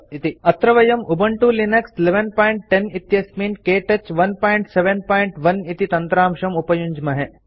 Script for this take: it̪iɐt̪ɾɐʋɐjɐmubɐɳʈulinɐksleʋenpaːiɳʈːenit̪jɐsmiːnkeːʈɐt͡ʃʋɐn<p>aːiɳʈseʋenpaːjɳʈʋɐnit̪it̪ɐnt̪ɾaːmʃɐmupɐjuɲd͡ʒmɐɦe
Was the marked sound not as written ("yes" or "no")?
no